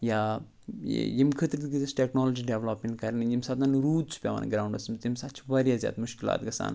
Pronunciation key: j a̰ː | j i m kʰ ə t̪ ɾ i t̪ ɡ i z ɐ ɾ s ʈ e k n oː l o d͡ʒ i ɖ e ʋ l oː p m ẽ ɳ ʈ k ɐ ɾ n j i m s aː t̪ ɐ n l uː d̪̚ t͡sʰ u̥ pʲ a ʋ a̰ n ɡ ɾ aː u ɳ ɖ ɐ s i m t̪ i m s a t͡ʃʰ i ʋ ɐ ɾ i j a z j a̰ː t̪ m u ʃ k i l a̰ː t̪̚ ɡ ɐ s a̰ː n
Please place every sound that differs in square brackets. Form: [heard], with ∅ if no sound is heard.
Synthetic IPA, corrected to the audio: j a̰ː | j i m kʰ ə t̪ ɾ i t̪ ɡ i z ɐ [∅] s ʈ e k n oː l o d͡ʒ i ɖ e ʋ l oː p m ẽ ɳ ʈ k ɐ ɾ n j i m s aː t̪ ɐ n [ɾ] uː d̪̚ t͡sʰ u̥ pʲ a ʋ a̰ n ɡ ɾ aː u ɳ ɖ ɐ s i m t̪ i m s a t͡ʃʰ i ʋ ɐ ɾ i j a z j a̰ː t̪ m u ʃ k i l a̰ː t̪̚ ɡ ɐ s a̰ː n